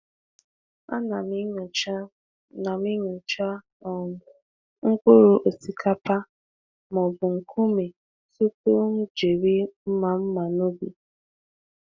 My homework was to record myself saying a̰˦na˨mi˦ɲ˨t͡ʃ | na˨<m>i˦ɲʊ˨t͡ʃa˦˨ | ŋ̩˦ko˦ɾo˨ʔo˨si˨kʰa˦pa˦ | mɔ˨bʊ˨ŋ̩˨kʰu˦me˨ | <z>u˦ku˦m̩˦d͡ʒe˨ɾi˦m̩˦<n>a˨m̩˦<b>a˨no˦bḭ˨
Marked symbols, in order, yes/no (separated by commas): yes, no, no, no